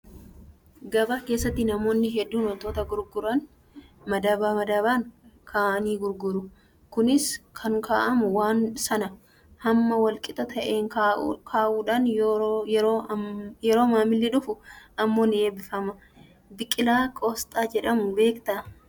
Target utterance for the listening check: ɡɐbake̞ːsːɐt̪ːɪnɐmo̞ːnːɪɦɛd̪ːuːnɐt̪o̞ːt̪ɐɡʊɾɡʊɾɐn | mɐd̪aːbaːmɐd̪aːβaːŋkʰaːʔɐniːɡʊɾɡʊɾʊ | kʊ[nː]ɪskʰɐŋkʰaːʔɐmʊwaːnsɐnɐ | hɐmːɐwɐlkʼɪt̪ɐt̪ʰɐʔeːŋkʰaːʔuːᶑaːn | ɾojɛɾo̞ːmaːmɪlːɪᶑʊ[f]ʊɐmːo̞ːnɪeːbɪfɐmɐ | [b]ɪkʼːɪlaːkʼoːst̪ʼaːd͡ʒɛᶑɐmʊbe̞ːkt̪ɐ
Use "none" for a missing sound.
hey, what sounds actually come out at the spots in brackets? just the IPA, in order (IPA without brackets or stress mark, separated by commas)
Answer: n, f, b